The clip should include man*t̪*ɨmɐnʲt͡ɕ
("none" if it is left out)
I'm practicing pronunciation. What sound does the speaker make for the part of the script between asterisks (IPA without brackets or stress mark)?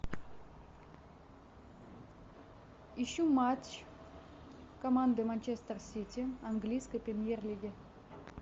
d̪